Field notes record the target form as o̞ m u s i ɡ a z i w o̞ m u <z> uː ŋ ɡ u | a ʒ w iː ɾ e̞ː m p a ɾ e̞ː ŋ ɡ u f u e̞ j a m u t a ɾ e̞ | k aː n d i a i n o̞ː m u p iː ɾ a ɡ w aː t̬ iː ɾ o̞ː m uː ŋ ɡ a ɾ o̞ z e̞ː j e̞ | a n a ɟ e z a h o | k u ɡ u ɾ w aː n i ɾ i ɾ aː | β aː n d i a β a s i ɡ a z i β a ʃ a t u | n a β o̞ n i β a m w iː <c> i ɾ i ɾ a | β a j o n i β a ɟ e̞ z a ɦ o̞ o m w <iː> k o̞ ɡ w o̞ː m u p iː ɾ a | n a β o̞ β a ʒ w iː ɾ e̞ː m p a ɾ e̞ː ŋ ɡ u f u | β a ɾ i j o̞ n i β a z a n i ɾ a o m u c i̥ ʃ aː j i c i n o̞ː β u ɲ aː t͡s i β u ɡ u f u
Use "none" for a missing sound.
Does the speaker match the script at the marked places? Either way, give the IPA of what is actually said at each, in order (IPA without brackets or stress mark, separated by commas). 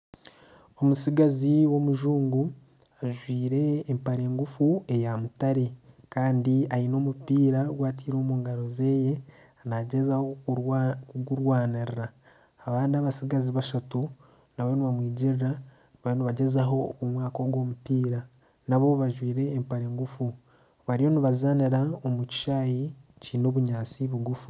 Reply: ʒ, ɟ, aː